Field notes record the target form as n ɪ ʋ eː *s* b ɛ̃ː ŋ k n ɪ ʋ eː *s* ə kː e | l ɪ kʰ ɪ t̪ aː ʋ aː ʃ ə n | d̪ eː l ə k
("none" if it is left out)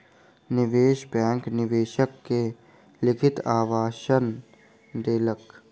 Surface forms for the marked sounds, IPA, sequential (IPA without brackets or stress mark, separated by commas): ʃ, ʃ